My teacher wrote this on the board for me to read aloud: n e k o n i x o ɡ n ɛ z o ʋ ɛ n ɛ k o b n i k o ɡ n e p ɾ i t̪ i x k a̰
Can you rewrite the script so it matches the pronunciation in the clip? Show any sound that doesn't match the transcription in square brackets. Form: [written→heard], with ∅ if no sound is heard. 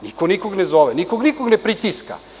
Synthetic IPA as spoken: n [e→i] k o n i [x→k] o ɡ n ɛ z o ʋ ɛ n [ɛ→i] k o [b→ɡ] n i k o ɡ n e p ɾ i t̪ i [x→s] k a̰